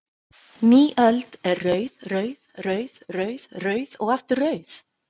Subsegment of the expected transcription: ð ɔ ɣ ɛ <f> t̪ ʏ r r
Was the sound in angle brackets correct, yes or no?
yes